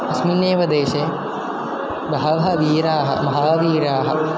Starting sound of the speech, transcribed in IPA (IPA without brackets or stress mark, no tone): ɐ